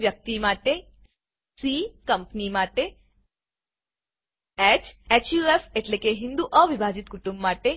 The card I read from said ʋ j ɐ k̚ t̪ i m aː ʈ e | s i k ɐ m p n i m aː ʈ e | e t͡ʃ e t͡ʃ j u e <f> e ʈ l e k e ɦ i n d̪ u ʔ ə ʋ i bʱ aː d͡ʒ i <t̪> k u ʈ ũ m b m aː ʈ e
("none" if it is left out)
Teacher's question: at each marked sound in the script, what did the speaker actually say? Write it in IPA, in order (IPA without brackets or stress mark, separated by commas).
f, t̪